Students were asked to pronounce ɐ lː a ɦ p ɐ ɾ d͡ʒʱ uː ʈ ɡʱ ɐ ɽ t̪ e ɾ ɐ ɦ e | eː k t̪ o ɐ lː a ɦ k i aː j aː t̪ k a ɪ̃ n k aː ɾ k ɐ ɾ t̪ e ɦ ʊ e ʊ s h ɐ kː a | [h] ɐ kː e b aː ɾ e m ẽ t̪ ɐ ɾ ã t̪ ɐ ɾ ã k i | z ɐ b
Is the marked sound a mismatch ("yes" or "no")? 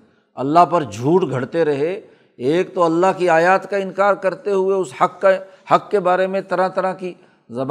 no